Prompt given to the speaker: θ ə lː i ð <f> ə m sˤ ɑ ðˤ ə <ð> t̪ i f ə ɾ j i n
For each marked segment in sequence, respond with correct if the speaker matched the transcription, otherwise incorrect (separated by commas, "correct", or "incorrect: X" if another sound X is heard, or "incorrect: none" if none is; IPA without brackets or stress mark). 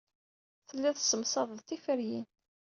incorrect: s, correct